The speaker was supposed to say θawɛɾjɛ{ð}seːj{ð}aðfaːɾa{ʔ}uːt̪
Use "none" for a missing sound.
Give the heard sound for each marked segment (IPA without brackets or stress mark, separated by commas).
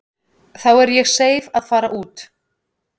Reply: ɣ, v, ʔ